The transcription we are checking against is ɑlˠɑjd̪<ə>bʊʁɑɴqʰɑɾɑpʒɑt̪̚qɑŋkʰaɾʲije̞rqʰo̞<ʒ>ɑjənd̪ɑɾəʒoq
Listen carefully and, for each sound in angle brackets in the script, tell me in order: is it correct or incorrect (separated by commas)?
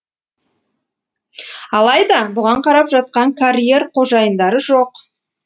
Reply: incorrect, correct